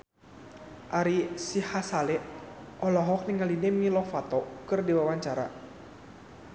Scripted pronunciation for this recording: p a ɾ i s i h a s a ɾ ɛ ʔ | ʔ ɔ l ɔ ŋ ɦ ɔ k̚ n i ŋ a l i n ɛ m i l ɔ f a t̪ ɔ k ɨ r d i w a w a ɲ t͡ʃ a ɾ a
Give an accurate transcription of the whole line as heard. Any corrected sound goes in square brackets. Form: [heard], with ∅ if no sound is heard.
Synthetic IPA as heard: [ʔ] a ɾ i s i h a s a [l] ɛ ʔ | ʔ ɔ l ɔ [∅] ɦ ɔ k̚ n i ŋ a l i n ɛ m i l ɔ f a t̪ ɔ k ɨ r d i w a w a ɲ t͡ʃ a ɾ a